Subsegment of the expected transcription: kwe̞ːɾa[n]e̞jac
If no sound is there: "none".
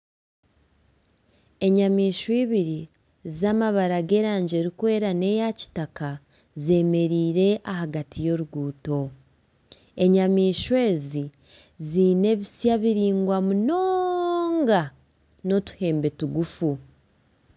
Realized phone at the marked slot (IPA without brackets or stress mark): n